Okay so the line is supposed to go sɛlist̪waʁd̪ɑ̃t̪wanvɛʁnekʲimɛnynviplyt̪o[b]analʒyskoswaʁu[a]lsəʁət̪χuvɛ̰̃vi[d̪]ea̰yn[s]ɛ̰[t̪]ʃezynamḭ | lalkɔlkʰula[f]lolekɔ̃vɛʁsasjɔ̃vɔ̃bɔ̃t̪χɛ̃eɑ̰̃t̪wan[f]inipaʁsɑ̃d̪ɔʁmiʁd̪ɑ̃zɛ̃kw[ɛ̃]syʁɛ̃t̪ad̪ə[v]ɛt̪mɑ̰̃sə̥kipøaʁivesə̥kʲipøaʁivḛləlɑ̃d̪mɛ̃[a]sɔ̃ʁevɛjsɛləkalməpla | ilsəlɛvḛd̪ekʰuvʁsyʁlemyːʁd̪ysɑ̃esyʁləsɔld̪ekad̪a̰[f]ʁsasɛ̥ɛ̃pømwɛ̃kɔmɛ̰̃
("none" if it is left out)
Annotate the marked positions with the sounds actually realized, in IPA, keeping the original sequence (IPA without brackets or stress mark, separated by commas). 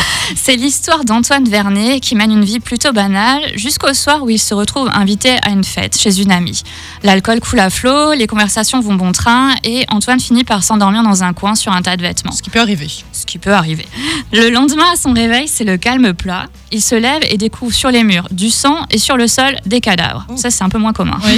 b, i, t̪, f, t̪, f, f, ɛ̃, v, a, v